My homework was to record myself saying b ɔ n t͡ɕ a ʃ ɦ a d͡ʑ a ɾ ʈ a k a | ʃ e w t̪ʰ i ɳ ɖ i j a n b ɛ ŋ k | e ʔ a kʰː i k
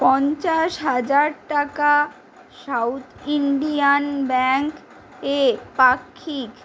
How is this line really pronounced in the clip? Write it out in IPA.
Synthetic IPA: p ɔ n t͡ɕ a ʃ ɦ a d͡ʑ a ɾ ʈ a k a | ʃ a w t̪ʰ i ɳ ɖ i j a n b ɛ ŋ k | e p a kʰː i k

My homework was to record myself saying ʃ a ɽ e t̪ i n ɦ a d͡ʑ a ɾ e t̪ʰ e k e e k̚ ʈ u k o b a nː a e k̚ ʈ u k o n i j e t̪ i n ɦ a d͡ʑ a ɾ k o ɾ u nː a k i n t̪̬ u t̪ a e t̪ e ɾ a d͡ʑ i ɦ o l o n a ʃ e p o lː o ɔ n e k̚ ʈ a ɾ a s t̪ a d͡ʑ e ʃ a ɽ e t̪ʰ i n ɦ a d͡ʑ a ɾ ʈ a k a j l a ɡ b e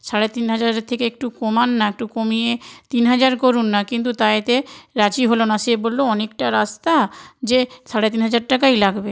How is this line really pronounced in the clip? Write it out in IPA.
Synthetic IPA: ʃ a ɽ e t̪ i n ɦ a d͡ʑ a ɾ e t̪ʰ e k e e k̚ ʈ u k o m a nː a e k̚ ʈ u k o m i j e t̪ i n ɦ a d͡ʑ a ɾ k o ɾ u nː a k i n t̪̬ u t̪ a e t̪ e ɾ a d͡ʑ i ɦ o l o n a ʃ e b o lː o ɔ n e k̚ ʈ a ɾ a s t̪ a d͡ʑ e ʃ a ɽ e t̪ i n ɦ a d͡ʑ a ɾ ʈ a k a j l a ɡ b e

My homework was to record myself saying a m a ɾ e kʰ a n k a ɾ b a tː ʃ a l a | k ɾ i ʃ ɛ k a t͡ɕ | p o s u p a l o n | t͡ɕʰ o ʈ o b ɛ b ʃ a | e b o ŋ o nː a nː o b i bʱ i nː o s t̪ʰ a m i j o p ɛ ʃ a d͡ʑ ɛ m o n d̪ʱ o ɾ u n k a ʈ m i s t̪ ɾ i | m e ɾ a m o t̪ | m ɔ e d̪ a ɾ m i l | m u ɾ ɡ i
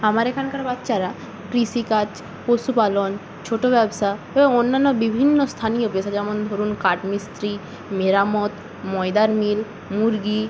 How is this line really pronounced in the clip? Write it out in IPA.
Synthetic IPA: a m a ɾ e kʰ a n k a ɾ b a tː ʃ a ɾ a | k ɾ i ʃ i k a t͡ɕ | p o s u p a l o n | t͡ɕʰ o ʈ o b ɛ b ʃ a | e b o ŋ o nː a nː o b i bʱ i nː o s t̪ʰ a n i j o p e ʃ a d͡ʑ ɛ m o n d̪ʱ o ɾ u n k a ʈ m i s t̪ ɾ i | m e ɾ a m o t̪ | m ɔ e d̪ a ɾ m i l | m u ɾ ɡ i

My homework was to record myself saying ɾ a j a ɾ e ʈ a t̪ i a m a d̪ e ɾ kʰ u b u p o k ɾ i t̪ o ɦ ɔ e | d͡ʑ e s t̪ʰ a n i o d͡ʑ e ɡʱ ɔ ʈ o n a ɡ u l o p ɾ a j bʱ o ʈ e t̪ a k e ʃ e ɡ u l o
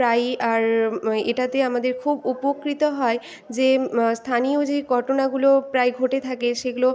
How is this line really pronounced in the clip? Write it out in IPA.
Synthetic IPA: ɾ a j a ɾ e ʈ a t̪ e a m a d̪ e ɾ kʰ u b u p o k ɾ i t̪ o ɦ ɔ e | d͡ʑ e s t̪ʰ a n i o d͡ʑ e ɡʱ ɔ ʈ o n a ɡ u l o p ɾ a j ɡʱ o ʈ e t̪ʰ a k e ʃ e ɡ u l o

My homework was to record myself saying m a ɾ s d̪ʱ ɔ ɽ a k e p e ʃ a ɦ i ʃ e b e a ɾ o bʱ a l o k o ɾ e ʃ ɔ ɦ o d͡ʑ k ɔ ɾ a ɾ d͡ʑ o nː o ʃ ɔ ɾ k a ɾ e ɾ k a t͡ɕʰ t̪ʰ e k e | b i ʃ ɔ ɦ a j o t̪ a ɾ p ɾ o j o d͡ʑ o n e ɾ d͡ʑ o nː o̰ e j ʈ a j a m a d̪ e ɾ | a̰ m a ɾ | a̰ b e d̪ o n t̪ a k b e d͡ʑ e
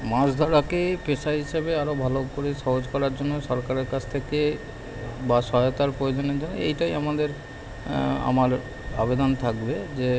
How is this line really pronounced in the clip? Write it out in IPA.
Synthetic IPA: m a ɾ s d̪ʱ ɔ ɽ a k e p e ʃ a ɦ i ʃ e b e a ɾ o bʱ a l o k o ɾ e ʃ ɔ ɦ o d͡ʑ k ɔ ɾ a ɾ d͡ʑ o nː o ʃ ɔ ɾ k a ɾ e ɾ k a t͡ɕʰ t̪ʰ e k e | b a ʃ ɔ ɦ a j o t̪ a ɾ p ɾ o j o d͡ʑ o n e ɾ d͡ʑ o nː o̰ e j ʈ a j a m a d̪ e ɾ | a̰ m a ɾ | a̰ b e d̪ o n t̪ʰ a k b e d͡ʑ e

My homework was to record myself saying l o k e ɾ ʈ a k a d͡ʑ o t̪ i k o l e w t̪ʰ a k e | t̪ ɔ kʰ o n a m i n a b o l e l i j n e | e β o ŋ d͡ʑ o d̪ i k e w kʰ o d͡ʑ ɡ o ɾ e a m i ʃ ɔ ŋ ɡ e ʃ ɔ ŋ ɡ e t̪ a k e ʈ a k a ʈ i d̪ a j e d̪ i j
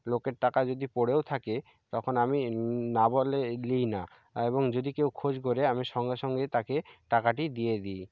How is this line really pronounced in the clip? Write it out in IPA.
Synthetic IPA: l o k e ɾ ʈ a k a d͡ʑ o d̪ i p o ɽ e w t̪ʰ a k e | t̪ ɔ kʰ o n a m i n a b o l e l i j n a | e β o ŋ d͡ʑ o d̪ i k e w kʰ o d͡ʑ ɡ o ɾ e a m i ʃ ɔ ŋ ɡ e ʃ ɔ ŋ ɡ e t̪ a k e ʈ a k a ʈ i d̪ i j e d̪ i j

